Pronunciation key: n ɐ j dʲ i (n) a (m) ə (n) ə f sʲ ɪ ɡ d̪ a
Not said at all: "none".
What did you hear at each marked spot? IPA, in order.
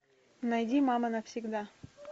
m, m, n

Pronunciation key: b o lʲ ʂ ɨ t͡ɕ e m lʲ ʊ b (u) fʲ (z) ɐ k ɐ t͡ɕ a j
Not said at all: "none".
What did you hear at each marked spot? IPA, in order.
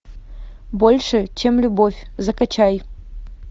o, z

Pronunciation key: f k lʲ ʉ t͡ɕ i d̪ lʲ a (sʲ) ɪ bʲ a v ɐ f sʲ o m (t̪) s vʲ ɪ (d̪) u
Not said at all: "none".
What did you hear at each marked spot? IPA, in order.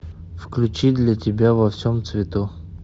tʲ, t̪, t̪

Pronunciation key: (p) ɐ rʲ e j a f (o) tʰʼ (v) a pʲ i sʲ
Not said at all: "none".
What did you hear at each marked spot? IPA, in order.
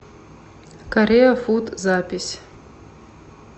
k, u, z

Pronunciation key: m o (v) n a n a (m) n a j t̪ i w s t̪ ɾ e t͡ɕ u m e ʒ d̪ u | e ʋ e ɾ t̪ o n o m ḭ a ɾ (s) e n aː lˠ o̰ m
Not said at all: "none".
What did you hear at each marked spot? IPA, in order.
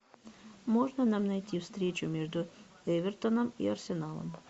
ʒ, m, s

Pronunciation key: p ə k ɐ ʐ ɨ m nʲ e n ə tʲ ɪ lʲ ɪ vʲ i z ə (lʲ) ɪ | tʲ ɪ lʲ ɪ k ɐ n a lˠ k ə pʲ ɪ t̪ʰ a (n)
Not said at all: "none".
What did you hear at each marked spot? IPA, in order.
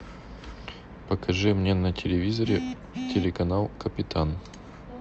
ɾʲ, n

